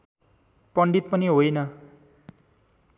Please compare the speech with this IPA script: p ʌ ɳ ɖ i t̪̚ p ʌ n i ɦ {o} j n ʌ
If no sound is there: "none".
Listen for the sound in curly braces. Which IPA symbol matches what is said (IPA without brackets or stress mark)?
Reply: o